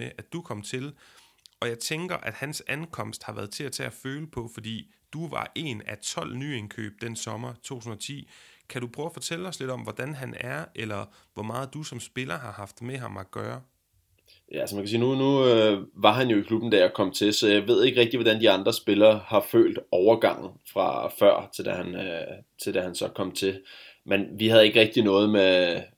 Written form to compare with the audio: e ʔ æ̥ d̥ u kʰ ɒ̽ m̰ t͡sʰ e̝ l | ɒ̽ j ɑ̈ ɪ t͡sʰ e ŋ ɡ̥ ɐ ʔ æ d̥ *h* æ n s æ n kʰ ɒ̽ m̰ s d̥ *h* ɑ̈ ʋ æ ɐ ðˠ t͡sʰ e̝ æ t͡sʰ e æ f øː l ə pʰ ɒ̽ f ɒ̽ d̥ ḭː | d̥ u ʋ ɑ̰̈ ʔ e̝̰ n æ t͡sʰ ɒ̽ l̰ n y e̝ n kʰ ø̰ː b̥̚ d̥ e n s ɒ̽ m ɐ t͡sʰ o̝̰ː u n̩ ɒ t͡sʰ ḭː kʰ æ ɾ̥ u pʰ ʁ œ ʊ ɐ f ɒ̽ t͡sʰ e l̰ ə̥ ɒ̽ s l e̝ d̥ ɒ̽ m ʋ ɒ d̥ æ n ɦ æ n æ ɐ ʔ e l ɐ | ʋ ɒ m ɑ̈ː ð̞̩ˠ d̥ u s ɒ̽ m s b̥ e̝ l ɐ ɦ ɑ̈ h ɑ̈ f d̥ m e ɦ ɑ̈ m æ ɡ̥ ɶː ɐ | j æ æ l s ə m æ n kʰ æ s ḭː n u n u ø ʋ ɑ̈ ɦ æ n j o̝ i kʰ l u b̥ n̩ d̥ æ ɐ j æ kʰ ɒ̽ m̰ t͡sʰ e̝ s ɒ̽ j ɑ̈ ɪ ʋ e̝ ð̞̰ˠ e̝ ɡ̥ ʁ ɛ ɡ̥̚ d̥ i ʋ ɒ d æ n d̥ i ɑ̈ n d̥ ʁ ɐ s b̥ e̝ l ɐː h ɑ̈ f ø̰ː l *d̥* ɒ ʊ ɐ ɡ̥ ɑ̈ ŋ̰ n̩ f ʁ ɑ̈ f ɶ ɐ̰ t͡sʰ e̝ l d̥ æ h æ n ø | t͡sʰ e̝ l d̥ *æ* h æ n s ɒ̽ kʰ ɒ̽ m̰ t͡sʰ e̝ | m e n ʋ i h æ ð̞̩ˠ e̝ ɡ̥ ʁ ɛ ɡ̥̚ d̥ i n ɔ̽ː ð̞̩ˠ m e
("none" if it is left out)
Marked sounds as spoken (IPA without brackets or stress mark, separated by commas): h, h, d̥, æ